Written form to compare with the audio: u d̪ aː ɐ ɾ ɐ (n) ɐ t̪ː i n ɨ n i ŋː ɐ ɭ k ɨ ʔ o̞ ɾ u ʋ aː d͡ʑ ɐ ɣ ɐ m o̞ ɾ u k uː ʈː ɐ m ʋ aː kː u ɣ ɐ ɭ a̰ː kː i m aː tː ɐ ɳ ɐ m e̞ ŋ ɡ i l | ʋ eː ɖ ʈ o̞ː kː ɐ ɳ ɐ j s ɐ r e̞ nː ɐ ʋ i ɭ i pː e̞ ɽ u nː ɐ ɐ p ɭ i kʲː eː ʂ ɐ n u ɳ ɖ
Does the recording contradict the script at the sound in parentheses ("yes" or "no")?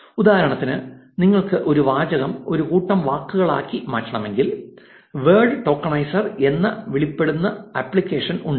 yes